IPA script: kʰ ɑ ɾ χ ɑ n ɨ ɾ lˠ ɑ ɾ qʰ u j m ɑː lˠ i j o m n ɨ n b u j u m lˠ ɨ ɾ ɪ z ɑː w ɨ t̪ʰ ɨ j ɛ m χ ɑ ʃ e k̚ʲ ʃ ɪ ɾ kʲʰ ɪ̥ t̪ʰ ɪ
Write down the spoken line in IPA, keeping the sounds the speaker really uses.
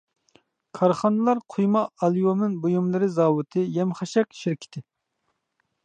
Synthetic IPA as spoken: kʰ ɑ ɾ χ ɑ n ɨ lˠ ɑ ɾ qʰ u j m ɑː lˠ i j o m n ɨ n b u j u m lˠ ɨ ɾ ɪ z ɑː w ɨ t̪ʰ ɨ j ɛ m χ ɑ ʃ ɛ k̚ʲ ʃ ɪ ɾ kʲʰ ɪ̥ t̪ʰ ɪ

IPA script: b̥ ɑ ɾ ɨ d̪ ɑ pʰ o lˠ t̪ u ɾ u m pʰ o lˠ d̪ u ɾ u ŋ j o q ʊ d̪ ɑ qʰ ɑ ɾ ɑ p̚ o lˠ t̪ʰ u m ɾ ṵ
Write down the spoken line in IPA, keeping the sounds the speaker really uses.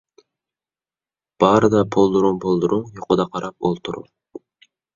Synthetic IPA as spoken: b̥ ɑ ɾ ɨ d̪ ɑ pʰ o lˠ d̪ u ɾ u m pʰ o lˠ d̪ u ɾ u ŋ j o q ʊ d̪ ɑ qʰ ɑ ɾ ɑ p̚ o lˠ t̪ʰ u ɾ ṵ

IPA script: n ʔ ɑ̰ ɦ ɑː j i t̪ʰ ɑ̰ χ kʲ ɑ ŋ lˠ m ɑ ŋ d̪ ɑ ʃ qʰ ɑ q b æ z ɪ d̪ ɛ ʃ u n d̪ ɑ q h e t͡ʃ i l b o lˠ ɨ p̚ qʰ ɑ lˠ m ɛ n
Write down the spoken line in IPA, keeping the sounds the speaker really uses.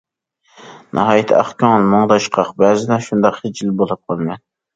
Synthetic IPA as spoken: n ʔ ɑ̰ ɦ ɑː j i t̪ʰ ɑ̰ χ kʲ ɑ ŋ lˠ m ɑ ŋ d̪ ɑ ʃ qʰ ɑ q b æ z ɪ d̪ ɛ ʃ u n d̪ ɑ q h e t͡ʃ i l b o lˠ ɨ p̚ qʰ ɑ lˠ m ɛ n

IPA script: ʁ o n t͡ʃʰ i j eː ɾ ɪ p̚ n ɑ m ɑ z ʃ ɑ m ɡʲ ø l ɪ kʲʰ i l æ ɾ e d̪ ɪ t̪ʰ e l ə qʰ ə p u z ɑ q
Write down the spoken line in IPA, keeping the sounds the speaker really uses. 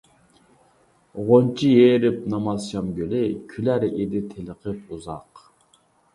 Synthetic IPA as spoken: ʁ o n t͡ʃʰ i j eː ɾ ɪ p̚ n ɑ m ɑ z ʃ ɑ m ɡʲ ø l ɪ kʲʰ y l æ ɾ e d̪ ɪ t̪ʰ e l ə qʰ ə p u z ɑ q

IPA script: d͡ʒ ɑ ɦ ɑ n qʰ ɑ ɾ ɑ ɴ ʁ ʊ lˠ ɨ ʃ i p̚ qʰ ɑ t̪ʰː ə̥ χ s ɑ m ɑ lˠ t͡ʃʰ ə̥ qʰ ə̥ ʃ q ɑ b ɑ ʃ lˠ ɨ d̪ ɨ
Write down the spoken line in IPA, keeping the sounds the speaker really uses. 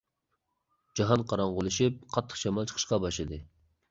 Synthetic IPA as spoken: d͡ʒ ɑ ɦ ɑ n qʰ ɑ ɾ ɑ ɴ ʁ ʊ lˠ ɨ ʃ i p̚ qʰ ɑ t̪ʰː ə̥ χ ʃ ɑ m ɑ lˠ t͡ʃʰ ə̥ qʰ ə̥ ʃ q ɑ b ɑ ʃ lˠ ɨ d̪ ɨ

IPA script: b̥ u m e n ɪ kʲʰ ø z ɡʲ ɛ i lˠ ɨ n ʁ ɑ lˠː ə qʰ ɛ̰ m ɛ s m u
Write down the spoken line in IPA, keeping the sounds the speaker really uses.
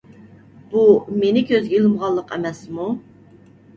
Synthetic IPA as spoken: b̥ u m e n ɪ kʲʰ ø z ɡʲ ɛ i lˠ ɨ m ʁ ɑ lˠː ə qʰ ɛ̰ m ɛ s m u

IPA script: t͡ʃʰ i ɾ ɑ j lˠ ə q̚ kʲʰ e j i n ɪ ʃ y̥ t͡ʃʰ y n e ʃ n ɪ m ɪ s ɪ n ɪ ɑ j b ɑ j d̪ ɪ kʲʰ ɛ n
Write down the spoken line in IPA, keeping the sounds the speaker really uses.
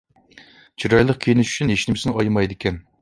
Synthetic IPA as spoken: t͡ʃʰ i ɾ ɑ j lˠ ə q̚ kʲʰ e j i n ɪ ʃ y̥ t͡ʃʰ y n e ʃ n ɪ m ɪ s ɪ n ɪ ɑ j m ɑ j d̪ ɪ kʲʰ ɛ n

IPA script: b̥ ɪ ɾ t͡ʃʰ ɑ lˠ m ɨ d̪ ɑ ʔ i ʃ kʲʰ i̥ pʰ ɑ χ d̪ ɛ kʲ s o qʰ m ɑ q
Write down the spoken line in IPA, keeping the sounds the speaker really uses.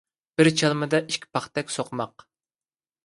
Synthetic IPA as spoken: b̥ ɪ ɾ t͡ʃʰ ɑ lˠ m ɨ d̪ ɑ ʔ i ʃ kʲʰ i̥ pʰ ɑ χ t̪ ɛ kʲ s o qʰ m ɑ q

